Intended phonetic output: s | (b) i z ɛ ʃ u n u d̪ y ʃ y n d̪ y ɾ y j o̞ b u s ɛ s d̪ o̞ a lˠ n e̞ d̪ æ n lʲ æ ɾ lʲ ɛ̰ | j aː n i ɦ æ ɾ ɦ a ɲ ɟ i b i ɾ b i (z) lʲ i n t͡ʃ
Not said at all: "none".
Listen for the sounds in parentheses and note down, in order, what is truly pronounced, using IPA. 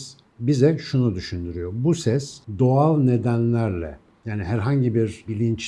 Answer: b, none

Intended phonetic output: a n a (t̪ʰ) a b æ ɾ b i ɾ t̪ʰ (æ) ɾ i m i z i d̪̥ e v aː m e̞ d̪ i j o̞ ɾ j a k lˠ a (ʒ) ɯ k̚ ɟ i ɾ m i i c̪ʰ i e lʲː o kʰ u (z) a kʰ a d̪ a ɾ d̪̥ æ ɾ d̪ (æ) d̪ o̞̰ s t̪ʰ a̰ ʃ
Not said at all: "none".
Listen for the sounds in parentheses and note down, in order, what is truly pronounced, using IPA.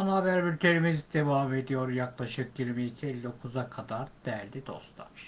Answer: none, e, ʃ, z, i

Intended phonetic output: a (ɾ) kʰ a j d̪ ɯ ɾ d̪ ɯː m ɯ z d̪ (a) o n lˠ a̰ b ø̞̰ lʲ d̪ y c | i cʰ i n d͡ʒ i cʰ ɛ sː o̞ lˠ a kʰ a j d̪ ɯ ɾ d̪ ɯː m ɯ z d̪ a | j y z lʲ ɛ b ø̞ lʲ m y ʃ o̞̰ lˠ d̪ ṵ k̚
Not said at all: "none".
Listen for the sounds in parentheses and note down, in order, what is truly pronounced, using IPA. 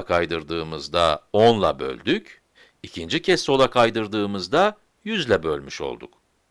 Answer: none, a

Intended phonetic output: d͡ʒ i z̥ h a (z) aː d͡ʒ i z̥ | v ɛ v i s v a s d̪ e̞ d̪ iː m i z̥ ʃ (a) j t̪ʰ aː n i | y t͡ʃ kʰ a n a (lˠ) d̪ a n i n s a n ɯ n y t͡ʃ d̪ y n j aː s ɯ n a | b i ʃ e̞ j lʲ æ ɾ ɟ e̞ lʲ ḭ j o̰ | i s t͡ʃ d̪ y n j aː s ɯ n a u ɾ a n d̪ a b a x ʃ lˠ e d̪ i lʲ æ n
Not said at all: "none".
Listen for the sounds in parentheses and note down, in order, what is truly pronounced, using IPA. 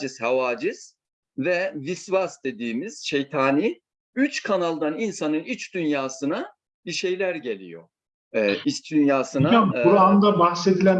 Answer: v, e, lˠ

